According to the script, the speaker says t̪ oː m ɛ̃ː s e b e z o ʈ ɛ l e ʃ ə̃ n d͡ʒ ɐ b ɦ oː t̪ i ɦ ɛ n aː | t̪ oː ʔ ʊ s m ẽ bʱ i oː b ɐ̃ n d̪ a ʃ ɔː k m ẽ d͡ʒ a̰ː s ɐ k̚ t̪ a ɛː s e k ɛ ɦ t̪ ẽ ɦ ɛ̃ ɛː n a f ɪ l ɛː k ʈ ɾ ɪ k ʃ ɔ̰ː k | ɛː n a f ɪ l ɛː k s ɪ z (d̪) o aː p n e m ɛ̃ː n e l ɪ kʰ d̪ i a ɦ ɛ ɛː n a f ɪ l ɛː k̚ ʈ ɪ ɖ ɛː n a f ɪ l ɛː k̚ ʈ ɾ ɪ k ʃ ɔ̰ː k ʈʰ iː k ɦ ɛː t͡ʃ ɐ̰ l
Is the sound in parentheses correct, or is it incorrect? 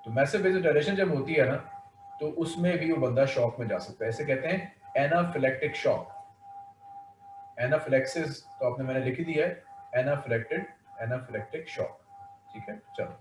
incorrect: t̪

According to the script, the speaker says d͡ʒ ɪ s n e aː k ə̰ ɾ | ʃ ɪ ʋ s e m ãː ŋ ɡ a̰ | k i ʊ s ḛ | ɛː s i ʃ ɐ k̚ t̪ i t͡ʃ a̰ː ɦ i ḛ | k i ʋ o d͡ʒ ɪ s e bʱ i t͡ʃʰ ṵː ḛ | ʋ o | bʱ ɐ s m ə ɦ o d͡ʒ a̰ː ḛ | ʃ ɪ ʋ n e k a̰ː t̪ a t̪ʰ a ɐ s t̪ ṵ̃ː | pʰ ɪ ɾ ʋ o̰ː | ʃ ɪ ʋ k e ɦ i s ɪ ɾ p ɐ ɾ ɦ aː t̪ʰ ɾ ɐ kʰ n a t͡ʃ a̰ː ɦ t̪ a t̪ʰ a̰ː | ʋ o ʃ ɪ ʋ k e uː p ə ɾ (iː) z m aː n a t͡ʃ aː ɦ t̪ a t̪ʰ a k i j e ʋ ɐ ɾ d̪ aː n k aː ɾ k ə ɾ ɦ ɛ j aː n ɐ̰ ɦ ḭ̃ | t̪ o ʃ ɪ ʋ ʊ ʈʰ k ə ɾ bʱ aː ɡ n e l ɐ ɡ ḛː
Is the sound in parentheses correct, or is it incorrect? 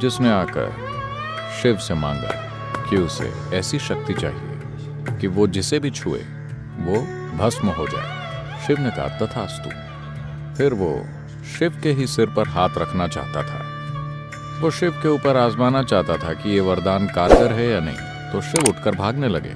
incorrect: aː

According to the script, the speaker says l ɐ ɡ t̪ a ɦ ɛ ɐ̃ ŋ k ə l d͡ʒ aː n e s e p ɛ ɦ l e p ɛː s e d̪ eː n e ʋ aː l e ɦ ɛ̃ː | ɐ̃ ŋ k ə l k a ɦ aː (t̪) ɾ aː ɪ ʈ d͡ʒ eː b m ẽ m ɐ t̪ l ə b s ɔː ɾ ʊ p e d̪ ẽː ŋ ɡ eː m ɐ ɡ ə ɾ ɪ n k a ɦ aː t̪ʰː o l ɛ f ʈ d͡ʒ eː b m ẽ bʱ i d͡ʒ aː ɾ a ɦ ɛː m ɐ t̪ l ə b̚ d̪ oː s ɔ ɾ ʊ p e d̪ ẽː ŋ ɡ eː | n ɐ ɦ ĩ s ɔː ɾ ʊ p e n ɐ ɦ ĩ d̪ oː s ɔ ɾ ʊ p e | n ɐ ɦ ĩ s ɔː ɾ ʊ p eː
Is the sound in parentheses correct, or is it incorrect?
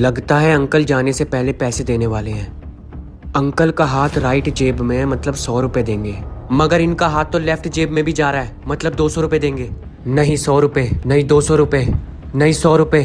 incorrect: t̪ʰ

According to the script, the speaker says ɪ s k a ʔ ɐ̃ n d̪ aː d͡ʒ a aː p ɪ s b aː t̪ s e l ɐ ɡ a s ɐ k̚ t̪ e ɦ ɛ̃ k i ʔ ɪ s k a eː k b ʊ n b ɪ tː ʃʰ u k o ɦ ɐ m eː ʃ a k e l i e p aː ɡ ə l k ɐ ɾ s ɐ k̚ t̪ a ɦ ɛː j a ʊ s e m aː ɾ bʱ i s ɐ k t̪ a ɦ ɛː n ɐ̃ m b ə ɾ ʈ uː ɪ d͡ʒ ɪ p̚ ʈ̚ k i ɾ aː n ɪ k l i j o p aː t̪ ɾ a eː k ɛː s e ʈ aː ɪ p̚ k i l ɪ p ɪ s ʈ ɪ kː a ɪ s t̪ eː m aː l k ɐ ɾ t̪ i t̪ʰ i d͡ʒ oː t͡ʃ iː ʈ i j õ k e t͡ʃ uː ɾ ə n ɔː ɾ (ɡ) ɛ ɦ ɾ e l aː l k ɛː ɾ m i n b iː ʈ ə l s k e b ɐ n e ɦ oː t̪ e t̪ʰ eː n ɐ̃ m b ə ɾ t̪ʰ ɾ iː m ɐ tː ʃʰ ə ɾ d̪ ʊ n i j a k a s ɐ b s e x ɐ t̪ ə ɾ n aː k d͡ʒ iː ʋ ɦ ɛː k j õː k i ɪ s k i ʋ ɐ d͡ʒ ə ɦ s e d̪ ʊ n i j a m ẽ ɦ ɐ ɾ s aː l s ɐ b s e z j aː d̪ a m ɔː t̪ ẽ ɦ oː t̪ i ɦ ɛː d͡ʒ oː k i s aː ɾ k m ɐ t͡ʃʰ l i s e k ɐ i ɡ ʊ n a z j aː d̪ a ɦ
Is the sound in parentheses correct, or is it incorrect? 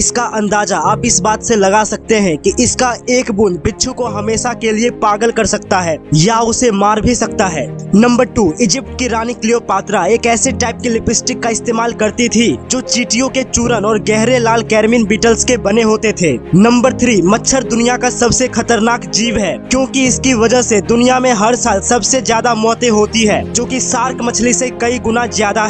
correct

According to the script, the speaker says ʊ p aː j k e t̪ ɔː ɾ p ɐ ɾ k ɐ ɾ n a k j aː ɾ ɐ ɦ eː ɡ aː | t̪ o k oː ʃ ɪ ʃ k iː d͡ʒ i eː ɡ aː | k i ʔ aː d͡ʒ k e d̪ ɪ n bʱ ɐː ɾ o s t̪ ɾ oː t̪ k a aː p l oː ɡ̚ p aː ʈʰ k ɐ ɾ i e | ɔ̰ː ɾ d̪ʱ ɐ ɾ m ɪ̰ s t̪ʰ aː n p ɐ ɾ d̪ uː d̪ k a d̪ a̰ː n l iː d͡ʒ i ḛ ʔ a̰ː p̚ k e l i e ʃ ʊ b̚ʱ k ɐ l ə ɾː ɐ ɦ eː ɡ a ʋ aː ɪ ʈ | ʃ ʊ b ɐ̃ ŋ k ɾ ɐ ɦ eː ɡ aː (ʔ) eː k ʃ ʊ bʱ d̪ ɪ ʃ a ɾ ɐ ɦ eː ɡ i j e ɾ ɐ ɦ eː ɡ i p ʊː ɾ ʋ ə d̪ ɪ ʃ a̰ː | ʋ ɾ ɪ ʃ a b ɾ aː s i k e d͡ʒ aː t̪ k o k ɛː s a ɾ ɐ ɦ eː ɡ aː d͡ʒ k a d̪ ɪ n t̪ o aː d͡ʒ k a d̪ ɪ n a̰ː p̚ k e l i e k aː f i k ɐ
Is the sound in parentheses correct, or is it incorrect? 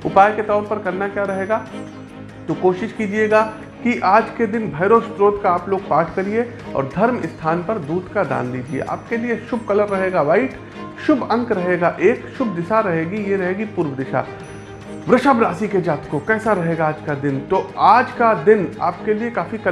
correct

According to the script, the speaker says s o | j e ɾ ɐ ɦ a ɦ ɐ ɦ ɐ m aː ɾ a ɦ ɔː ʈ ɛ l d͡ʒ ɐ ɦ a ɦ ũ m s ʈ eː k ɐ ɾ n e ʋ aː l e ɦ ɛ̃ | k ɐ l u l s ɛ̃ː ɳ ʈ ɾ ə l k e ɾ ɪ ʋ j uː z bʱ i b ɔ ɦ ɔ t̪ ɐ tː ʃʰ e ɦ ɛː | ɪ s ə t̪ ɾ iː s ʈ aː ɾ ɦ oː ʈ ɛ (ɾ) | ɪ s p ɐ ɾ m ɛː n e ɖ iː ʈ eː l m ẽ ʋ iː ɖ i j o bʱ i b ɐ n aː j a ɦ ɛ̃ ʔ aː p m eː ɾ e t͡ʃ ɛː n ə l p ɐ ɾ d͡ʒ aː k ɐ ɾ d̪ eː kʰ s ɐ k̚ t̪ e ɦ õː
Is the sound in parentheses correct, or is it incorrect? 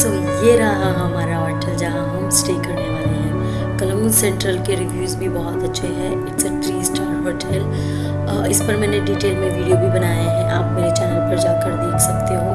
incorrect: l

